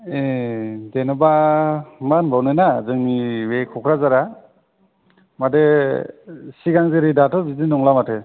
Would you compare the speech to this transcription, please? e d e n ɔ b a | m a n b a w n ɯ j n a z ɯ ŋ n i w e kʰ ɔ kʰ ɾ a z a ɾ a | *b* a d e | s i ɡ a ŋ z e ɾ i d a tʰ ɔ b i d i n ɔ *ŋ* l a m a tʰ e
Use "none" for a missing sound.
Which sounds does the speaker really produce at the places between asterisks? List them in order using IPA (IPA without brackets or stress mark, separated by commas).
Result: m, ŋ